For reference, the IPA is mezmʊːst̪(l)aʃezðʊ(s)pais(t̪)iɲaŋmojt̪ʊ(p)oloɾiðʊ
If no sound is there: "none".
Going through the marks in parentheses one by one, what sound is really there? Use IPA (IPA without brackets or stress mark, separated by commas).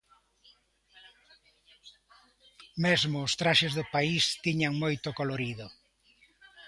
ɾ, none, t̪, k